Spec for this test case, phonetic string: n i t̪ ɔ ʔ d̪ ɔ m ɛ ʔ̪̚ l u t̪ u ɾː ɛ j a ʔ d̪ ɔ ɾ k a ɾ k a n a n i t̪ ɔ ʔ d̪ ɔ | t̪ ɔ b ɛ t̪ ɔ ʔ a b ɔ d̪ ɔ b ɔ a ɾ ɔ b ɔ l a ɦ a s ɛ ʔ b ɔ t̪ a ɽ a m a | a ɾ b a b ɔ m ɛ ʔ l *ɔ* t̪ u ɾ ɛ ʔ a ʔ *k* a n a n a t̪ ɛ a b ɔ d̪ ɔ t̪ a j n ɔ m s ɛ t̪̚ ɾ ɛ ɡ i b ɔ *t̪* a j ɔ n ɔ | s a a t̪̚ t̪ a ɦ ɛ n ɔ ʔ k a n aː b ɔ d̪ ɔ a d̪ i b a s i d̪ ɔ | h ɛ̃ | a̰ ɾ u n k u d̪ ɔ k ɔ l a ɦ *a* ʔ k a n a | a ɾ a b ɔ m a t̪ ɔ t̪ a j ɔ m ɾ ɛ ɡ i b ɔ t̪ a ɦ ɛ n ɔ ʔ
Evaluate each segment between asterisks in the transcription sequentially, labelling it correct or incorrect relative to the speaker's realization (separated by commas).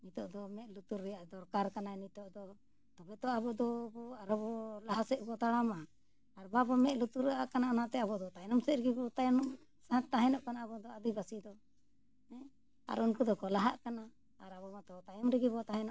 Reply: incorrect, correct, correct, correct